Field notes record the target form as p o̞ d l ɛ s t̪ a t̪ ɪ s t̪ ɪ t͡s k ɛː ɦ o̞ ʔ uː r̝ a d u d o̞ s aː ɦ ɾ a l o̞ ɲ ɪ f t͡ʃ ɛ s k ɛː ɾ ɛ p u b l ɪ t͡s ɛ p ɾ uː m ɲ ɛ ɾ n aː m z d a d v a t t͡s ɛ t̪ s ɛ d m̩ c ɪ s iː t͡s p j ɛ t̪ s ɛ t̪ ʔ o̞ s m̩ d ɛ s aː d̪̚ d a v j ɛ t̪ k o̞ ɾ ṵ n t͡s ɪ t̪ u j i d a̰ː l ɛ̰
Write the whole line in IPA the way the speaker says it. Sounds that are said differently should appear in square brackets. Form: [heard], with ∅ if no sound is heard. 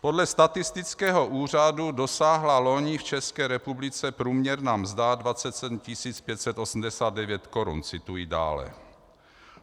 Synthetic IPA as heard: p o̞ d l ɛ s t̪ a t̪ ɪ s t̪ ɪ t͡s k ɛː ɦ o̞ ʔ uː r̝ a d u d o̞ s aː ɦ [l] a l o̞ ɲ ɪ f t͡ʃ ɛ s k ɛː ɾ ɛ p u b l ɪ t͡s ɛ p ɾ uː m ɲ ɛ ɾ n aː m z d a d v a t t͡s ɛ t̪ s ɛ d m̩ c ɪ s iː t͡s p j ɛ t̪ s ɛ t̪ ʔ o̞ s m̩ d ɛ s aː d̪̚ d [ɛ] v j ɛ t̪ k o̞ ɾ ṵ n t͡s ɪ t̪ u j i d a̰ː l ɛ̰